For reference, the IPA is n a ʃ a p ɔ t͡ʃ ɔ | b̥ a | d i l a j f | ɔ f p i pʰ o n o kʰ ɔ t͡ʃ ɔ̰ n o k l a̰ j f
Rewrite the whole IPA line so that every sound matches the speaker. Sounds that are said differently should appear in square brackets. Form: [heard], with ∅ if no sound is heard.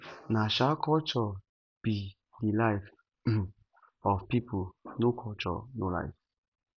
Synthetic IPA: n a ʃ a [k] ɔ t͡ʃ ɔ | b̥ [i] | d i l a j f | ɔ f p i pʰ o n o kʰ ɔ t͡ʃ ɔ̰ n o [∅] l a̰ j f